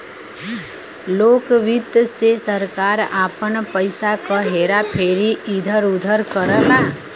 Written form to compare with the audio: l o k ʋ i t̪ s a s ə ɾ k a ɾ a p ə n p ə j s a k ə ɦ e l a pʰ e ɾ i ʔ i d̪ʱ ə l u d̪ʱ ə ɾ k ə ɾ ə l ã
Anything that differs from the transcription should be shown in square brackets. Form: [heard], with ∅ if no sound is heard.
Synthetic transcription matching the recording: l o k ʋ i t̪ s [e] s ə ɾ k a ɾ a p ə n p ə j s a k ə ɦ e [ɾ] a pʰ e ɾ i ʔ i d̪ʱ ə [ɾ] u d̪ʱ ə ɾ k ə ɾ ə l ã